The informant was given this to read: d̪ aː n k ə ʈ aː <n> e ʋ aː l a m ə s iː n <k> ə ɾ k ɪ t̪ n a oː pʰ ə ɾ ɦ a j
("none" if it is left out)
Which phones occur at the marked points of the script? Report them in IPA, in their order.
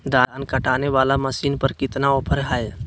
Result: n, p

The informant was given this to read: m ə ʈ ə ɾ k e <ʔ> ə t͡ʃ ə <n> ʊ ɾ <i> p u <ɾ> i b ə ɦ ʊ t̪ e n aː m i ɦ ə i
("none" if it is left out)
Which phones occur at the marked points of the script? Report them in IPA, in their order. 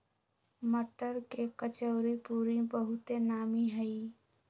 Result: k, none, i, ɾ

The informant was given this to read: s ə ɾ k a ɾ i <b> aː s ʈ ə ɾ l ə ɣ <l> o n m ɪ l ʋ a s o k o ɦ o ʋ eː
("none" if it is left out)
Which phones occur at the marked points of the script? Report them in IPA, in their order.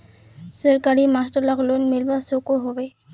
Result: m, l

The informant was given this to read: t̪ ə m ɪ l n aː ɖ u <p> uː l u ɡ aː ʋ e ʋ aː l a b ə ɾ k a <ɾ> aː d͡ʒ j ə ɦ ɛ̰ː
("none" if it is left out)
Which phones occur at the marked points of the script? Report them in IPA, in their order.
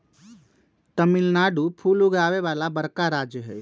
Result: pʰ, ɾ

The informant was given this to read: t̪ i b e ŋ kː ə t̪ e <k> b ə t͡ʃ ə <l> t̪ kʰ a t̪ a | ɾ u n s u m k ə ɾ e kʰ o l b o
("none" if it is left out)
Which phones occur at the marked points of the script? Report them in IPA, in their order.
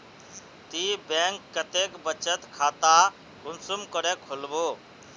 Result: k, none

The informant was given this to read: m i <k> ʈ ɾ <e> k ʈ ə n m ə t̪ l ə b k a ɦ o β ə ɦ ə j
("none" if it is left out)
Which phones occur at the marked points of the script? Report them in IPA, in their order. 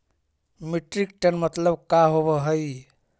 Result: none, i

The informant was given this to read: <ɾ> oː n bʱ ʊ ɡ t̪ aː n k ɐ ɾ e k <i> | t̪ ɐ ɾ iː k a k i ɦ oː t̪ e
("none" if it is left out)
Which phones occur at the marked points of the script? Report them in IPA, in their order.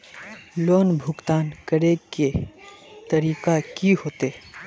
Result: l, e

